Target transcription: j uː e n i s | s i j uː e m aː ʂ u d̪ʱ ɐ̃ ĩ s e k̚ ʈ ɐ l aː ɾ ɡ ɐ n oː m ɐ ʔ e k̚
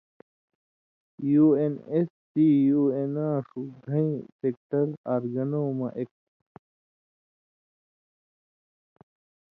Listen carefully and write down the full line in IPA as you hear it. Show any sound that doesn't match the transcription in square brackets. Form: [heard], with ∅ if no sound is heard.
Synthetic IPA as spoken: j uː e n [e] s | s i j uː e [n] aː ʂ u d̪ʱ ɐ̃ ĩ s e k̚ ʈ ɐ [ɾ] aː ɾ ɡ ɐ n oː m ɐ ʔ e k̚